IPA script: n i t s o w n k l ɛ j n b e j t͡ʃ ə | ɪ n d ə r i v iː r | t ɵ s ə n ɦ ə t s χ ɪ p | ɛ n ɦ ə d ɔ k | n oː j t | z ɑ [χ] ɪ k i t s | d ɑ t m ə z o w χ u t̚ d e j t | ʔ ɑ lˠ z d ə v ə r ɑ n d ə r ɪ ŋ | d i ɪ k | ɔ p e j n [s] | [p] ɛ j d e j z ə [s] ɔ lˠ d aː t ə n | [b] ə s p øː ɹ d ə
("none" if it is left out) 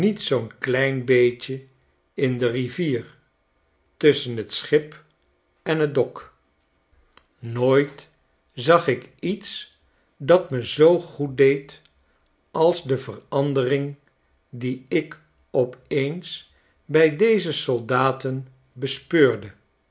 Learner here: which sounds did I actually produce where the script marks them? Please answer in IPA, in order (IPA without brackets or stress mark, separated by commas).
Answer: χ, s, b, s, b